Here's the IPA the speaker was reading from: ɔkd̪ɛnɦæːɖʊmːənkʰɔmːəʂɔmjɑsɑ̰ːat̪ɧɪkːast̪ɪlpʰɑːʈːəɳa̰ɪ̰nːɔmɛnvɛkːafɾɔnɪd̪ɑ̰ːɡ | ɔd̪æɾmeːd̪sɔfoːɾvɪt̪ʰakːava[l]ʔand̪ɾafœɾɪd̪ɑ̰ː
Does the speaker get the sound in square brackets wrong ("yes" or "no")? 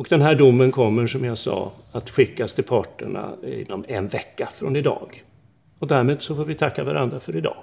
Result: yes